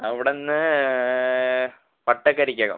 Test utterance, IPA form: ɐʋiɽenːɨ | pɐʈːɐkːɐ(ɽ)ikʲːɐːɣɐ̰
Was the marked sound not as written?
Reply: yes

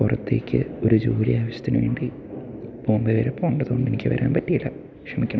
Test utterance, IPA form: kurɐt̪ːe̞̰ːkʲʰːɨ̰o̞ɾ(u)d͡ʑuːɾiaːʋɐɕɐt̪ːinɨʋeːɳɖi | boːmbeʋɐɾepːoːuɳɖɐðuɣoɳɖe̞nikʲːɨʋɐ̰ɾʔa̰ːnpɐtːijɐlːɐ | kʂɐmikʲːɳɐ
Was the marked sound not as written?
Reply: no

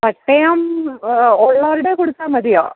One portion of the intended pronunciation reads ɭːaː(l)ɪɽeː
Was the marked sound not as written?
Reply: yes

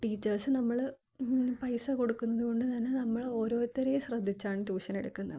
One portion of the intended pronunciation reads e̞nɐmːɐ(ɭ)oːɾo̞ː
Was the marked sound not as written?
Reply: no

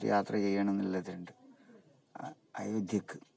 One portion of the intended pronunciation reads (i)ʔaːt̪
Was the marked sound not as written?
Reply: yes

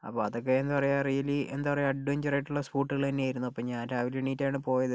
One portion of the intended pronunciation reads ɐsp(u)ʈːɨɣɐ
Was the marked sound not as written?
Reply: yes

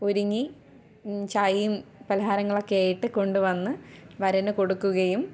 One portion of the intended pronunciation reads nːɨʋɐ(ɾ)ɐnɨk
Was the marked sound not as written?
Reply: no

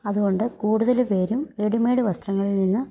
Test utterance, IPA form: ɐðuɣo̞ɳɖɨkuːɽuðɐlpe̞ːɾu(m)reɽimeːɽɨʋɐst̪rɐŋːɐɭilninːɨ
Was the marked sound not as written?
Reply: no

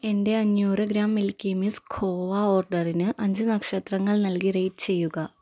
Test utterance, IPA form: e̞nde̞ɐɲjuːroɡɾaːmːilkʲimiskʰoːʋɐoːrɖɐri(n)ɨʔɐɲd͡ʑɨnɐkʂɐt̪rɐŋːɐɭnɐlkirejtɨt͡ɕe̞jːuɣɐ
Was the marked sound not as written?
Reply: no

